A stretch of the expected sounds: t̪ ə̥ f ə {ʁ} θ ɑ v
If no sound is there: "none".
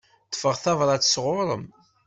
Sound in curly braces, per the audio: ʁ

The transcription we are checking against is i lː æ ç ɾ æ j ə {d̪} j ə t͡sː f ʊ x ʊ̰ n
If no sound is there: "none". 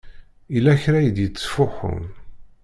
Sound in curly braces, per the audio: d̪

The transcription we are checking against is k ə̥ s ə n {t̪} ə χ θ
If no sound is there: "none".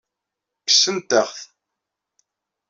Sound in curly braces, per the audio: t̪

